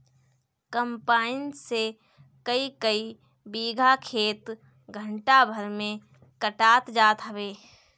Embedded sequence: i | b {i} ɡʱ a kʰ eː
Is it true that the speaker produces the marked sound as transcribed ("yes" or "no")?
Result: no